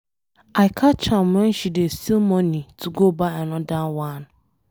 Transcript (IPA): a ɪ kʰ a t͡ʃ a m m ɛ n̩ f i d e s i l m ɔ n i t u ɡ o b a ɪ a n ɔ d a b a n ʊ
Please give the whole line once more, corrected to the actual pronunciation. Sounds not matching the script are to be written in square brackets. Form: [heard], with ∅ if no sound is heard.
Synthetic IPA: a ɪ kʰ a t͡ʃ a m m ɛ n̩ [ʃ] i d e s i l m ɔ n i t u ɡ o b a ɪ a n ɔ d a [w] a n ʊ